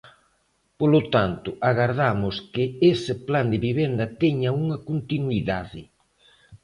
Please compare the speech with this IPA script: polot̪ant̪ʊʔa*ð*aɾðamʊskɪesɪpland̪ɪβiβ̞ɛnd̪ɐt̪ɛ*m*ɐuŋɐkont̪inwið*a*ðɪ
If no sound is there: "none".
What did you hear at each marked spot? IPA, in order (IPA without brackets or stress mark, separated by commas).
ɣ, ɲ, a